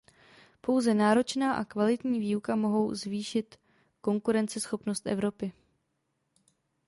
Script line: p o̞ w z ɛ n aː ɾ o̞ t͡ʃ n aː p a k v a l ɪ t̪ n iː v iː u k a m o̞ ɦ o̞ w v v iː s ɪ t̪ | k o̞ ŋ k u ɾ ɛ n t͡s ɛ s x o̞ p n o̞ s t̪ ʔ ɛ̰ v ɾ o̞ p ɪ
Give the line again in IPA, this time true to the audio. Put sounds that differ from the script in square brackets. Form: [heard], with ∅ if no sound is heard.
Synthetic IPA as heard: p o̞ w z ɛ n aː ɾ o̞ t͡ʃ n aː [ʔ] a k v a l ɪ t̪ [ɲ] iː v iː u k a m o̞ ɦ o̞ w [z] v iː [ʃ] ɪ t̪ | k o̞ ŋ k u ɾ ɛ n t͡s ɛ s x o̞ p n o̞ s t̪ ʔ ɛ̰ v ɾ o̞ p ɪ